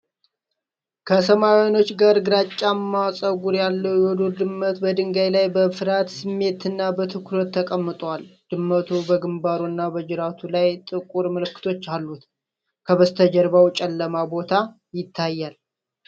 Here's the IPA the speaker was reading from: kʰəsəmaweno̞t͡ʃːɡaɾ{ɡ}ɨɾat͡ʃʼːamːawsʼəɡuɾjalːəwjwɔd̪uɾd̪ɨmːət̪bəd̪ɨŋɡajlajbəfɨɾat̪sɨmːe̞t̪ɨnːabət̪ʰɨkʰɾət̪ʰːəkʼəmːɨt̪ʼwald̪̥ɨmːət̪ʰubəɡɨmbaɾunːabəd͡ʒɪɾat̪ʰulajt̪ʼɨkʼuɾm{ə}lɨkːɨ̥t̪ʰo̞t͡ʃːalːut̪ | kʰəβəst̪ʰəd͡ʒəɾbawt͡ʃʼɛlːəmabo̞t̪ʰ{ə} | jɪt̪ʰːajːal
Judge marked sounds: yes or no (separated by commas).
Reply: yes, yes, no